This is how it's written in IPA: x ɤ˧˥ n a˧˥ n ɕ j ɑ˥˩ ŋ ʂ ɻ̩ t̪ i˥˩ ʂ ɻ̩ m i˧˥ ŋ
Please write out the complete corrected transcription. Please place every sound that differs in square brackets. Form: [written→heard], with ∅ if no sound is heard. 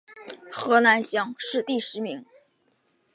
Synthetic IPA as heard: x ɤ˧˥ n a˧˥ n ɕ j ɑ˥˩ ŋ ʂ ɻ̩ t̪ i˥˩ ʂ ɻ̩ m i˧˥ ŋ